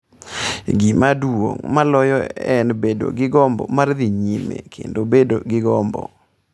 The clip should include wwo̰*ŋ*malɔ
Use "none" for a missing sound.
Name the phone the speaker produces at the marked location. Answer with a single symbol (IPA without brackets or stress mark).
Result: ŋ